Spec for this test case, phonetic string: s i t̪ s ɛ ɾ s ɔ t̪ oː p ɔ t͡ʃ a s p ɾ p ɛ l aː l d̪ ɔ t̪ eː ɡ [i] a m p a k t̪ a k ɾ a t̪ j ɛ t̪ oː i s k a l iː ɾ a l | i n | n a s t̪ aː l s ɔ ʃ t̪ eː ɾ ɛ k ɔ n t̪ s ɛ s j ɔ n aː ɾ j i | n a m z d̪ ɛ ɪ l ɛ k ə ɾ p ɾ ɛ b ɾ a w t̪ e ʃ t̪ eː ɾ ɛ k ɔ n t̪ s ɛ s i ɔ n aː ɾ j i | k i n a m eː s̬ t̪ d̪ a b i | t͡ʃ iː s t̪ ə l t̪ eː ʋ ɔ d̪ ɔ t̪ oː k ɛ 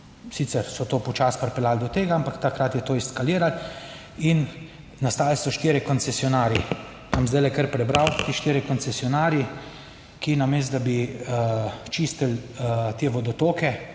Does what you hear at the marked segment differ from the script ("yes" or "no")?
yes